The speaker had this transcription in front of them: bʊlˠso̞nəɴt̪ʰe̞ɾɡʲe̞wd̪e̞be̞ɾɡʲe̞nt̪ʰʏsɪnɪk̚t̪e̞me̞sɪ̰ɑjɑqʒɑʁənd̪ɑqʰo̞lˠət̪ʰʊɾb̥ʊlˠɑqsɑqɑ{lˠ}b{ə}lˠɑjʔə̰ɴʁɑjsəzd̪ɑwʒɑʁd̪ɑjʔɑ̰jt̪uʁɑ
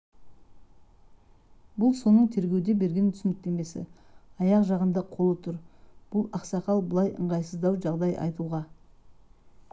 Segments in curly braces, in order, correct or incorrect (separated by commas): correct, correct